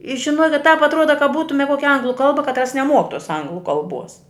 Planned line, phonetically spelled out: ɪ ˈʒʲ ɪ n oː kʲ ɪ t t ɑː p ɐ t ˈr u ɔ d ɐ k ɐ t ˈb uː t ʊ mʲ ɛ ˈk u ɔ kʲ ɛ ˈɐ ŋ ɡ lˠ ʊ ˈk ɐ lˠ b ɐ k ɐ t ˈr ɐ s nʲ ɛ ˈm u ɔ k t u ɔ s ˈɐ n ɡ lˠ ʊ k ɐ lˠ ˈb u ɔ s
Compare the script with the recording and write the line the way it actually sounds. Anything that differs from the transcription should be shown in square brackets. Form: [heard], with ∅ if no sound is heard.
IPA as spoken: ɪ ˈʒʲ ɪ n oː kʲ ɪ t t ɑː p ɐ t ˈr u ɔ d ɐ k ɐ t ˈb uː t ʊ mʲ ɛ ˈk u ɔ kʲ ɛ ˈɐ ŋ ɡ lˠ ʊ ˈk ɐ lˠ b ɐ k ɐ t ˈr ɐ s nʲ ɛ ˈm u ɔ k t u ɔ s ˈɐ [ŋ] ɡ lˠ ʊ k ɐ lˠ ˈb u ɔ s